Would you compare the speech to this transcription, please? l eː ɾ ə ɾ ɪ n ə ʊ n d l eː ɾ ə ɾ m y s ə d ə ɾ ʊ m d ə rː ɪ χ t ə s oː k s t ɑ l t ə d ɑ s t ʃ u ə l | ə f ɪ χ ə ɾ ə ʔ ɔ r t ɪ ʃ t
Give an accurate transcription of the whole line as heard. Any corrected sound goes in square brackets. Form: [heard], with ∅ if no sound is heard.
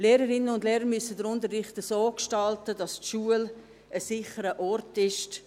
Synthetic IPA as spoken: l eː ɾ ə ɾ ɪ n ə ʊ n d l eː ɾ ə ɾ m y s ə d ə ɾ ʊ [n] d ə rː ɪ χ t ə s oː k [ʃ] t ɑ l t ə d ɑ s t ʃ u ə l | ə [s] ɪ χ ə ɾ ə ʔ ɔ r t ɪ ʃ t